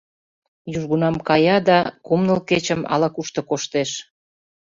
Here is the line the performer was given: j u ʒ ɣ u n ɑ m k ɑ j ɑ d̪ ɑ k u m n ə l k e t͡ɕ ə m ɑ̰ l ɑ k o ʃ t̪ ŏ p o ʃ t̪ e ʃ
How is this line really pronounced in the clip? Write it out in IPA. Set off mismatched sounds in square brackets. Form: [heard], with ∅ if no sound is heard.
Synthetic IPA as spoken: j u ʒ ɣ u n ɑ m k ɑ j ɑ d̪ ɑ k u m n ə l k e t͡ɕ ə m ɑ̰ l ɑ k [u] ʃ t̪ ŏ [k] o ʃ t̪ e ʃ